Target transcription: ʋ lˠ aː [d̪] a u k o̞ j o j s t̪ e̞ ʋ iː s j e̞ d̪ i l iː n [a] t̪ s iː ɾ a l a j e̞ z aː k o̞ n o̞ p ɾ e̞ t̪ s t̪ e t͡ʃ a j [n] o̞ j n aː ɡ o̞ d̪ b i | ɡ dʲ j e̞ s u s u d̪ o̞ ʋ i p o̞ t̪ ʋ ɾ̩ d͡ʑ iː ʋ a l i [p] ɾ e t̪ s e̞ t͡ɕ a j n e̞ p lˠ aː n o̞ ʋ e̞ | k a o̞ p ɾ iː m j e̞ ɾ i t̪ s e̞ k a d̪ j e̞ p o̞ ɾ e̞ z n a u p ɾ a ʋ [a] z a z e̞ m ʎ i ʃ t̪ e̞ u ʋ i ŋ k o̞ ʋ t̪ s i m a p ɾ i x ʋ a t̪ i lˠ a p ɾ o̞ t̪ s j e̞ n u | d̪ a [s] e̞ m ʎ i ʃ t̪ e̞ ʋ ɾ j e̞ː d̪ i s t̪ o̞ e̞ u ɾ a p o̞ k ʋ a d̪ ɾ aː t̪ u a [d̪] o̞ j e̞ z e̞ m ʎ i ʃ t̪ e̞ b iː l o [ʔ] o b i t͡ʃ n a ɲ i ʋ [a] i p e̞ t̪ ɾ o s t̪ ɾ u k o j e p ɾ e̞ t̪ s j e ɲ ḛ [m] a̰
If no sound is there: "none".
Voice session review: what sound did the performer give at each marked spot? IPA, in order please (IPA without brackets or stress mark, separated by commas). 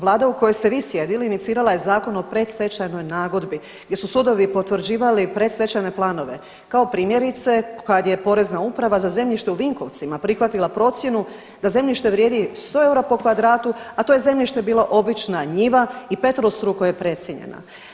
d̪, i, n, p, a, z, t̪, ʔ, a, n